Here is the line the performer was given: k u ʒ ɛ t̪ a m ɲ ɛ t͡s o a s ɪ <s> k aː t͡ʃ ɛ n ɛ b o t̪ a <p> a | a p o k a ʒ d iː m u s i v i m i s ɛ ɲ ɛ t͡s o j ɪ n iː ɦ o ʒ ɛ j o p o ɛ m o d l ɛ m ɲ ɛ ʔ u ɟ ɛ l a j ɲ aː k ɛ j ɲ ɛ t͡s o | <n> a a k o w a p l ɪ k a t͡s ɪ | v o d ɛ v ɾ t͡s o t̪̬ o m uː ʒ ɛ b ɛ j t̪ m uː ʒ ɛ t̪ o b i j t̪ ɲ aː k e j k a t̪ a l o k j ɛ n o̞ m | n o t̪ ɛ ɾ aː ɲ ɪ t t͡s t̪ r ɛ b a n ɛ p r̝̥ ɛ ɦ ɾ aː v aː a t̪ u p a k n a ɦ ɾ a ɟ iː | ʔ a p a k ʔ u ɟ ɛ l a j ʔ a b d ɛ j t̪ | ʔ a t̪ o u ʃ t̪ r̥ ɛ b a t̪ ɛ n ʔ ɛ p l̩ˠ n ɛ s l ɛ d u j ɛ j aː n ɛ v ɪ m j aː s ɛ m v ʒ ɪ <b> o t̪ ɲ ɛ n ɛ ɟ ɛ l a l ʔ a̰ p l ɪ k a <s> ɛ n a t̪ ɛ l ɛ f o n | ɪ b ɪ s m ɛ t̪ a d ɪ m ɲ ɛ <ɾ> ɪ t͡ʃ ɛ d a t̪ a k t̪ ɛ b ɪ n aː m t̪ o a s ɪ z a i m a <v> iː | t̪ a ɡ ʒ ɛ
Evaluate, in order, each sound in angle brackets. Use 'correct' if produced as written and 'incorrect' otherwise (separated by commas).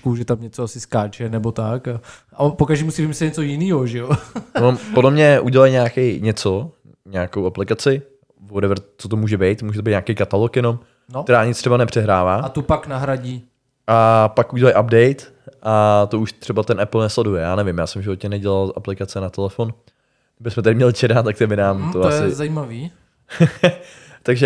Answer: correct, incorrect, incorrect, incorrect, incorrect, incorrect, correct